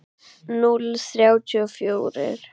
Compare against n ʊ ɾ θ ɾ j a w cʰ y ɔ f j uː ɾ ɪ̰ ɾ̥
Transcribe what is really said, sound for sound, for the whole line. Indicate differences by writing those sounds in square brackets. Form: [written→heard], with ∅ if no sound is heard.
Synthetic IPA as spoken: n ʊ [ɾ→l] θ ɾ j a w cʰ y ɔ f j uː ɾ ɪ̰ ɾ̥